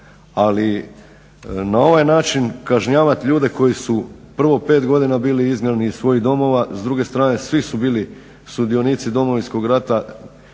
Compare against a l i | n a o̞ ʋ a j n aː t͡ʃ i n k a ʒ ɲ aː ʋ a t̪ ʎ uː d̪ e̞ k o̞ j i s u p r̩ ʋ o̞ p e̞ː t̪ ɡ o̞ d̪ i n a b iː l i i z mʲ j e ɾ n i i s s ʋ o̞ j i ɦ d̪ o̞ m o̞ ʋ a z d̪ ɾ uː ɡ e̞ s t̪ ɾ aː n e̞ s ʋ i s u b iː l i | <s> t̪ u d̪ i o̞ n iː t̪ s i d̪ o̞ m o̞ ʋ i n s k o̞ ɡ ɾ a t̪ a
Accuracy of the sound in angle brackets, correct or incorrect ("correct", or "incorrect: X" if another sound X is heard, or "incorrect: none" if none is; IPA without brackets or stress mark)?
correct